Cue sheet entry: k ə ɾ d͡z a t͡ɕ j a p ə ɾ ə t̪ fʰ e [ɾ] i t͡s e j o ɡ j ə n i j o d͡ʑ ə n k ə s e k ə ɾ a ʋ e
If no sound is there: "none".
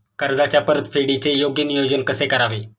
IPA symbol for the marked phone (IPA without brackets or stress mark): ɽ